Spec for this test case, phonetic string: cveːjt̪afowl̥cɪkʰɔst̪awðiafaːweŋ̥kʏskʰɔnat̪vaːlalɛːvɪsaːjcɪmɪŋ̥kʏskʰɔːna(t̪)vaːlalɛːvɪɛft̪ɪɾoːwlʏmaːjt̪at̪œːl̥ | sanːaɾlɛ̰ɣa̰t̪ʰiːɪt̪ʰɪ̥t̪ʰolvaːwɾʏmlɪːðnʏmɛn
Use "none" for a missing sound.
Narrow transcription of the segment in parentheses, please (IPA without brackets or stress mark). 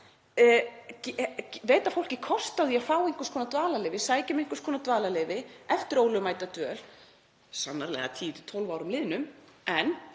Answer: t̪